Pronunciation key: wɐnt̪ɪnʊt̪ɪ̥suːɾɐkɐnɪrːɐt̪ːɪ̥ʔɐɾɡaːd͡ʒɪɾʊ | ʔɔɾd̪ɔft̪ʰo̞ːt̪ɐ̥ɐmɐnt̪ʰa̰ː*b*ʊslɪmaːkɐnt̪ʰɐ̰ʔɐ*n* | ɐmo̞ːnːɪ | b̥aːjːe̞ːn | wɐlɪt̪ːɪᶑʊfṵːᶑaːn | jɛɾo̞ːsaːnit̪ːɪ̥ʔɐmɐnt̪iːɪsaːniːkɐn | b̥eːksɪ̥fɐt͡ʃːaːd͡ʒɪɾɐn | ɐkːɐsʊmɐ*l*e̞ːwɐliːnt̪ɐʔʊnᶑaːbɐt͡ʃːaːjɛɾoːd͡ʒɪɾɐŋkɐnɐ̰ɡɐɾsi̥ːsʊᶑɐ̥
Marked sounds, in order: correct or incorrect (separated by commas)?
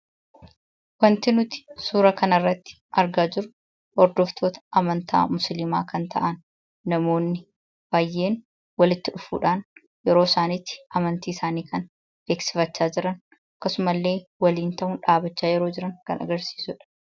incorrect, incorrect, incorrect